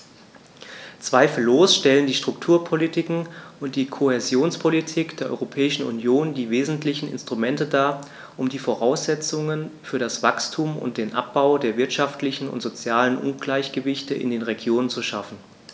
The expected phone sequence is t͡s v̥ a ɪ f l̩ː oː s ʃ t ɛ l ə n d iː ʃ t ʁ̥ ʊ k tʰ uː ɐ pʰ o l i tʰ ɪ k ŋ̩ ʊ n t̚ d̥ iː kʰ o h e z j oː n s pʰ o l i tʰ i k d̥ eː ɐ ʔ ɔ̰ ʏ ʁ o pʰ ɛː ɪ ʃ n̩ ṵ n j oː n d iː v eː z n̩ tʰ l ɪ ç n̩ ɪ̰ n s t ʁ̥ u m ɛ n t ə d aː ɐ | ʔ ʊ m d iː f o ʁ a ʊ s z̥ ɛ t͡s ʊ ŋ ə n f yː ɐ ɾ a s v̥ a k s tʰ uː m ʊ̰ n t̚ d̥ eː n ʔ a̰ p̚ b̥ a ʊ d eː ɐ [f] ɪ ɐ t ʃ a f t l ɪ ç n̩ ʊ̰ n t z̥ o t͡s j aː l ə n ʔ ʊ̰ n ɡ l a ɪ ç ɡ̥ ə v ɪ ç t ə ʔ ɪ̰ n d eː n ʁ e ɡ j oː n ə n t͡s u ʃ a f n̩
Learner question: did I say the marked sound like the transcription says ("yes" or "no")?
no